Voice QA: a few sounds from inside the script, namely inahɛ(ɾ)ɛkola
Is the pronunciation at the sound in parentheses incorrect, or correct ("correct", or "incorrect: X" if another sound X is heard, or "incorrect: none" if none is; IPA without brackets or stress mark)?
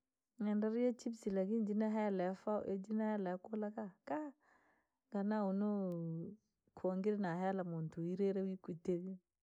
incorrect: l